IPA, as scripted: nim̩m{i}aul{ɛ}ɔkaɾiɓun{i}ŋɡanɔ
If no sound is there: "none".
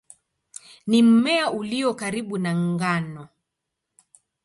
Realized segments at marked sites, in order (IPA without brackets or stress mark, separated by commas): ɛ, i, a